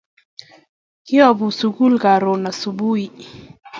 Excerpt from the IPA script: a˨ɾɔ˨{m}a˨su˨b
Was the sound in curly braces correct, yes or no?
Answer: no